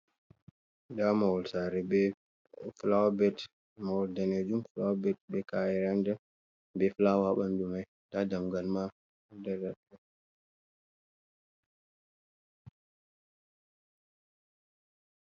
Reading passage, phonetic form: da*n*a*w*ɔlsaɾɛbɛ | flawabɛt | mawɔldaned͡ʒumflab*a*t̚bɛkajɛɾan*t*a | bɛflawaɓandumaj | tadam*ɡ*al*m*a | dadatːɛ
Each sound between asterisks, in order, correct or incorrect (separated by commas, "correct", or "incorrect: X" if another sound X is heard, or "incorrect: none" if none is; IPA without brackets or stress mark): incorrect: m, correct, incorrect: ɛ, incorrect: d, correct, correct